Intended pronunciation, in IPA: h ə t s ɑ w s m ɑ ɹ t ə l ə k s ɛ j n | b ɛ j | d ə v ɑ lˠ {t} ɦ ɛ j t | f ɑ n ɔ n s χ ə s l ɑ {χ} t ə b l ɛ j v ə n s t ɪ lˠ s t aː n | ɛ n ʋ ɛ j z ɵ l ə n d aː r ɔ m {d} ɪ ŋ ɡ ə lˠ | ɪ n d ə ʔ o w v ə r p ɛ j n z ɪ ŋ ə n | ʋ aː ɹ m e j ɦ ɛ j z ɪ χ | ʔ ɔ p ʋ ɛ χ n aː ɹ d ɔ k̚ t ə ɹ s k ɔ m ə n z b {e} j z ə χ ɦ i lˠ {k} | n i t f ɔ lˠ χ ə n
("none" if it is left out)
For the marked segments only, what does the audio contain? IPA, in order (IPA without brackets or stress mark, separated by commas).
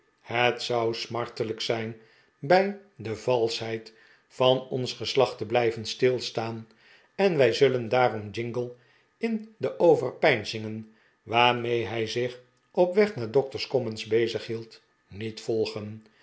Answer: s, χ, d͡ʒ, e, t